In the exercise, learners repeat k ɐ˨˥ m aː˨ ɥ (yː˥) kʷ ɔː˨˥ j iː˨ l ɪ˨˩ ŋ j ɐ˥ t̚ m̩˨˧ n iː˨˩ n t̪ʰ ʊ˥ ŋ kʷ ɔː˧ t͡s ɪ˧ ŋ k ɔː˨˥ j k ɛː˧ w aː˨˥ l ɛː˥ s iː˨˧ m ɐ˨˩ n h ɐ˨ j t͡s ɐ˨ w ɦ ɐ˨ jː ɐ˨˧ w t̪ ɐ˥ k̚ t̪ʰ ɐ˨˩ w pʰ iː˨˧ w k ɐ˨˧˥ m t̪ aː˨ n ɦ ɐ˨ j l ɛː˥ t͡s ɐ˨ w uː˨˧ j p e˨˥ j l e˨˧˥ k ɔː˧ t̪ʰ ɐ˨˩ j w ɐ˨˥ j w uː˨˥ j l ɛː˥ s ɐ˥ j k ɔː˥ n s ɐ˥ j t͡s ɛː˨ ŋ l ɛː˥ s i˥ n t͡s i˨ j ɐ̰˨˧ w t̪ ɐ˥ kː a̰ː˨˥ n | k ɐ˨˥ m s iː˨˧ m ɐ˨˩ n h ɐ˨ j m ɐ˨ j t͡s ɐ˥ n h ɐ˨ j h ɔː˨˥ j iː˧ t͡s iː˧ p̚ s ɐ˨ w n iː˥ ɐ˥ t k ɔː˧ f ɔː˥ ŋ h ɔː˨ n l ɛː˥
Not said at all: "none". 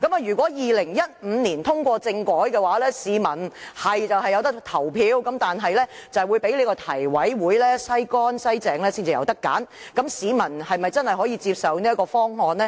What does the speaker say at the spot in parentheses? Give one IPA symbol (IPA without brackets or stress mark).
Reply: yː˨˩